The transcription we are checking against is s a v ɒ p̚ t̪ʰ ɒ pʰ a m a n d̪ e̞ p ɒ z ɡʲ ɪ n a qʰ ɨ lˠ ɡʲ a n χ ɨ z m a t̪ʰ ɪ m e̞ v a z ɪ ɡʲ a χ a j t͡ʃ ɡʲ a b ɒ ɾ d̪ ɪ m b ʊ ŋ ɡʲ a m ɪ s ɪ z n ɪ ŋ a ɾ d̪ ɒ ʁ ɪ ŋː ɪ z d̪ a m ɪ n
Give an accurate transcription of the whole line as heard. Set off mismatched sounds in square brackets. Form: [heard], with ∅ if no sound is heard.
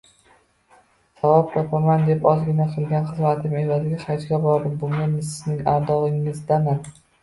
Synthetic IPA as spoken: s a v ɒ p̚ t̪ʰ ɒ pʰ a m a n d̪ e̞ p ɒ z ɡʲ ɪ n a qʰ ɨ lˠ ɡʲ a n χ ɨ z m a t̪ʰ ɪ m e̞ v a z ɪ ɡʲ a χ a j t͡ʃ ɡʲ a b ɒ ɾ d̪ ɪ m b ʊ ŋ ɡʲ a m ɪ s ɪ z n ɪ ŋ a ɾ d̪ ɒ ʁ ɪ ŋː ɪ z d̪ a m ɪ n